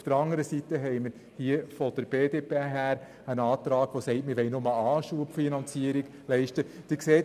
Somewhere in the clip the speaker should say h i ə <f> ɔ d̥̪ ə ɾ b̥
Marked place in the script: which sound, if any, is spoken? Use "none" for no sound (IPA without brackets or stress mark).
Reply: f